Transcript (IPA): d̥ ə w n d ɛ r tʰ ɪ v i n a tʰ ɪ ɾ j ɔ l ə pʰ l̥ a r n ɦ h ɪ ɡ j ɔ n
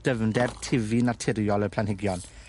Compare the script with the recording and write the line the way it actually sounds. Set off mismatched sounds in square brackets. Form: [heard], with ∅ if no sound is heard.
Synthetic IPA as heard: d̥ ə [v] n d ɛ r tʰ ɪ v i n a tʰ ɪ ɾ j ɔ l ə pʰ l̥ a [∅] n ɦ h ɪ ɡ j ɔ n